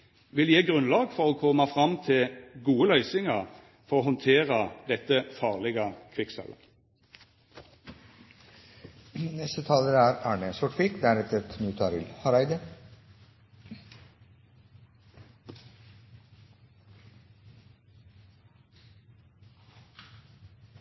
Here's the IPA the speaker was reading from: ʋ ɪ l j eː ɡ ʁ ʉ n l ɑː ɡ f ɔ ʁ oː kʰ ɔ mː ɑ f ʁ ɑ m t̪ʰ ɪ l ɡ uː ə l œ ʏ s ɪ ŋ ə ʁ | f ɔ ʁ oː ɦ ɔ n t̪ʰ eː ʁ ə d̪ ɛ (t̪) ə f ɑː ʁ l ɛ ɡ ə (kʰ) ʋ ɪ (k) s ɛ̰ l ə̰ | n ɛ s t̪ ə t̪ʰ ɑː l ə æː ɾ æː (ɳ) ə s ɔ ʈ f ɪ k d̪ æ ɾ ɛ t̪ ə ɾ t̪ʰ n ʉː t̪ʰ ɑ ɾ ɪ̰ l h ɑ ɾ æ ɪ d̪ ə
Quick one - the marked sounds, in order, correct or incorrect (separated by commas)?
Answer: correct, correct, correct, correct